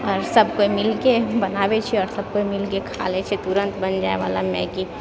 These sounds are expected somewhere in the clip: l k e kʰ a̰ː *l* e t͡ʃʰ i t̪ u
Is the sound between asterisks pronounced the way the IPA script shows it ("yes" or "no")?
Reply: yes